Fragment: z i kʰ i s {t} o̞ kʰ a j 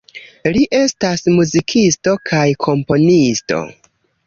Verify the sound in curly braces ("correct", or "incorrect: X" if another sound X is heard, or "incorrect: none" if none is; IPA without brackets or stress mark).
correct